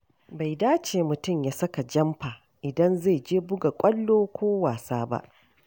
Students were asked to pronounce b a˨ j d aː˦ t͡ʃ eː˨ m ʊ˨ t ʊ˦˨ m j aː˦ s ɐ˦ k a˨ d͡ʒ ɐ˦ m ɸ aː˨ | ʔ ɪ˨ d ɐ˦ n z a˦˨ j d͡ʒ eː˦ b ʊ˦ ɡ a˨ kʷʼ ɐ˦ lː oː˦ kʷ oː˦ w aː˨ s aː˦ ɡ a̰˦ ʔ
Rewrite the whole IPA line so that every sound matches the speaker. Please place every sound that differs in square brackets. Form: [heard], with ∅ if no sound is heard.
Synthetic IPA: b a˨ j d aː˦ t͡ʃ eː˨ m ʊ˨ t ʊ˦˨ m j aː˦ s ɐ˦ k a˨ d͡ʒ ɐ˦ m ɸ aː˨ | ʔ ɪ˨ d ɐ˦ n z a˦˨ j d͡ʒ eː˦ b ʊ˦ ɡ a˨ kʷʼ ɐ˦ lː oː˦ kʷ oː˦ w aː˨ s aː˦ [b] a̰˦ ʔ